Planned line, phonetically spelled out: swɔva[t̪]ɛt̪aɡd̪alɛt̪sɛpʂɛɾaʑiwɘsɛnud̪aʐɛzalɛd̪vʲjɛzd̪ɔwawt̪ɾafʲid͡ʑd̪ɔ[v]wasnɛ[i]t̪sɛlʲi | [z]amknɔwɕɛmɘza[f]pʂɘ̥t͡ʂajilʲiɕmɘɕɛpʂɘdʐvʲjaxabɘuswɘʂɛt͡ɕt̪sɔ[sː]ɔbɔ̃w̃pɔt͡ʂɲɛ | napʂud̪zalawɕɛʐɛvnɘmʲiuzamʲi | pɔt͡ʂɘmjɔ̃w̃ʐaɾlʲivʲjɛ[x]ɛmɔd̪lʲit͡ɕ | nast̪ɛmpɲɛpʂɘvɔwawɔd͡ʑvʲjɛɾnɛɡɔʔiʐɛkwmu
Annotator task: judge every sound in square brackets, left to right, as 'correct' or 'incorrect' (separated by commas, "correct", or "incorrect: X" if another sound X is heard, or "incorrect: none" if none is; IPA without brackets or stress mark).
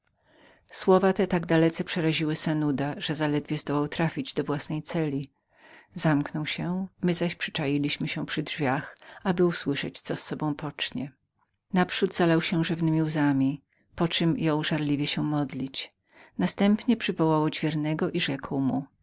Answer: correct, correct, incorrect: j, correct, incorrect: ɕ, correct, incorrect: ɕ